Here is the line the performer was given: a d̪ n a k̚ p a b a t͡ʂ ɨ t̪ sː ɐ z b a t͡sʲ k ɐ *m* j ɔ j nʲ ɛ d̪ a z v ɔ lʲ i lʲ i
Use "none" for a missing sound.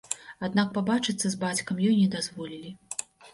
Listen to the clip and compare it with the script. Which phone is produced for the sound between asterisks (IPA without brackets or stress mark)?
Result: m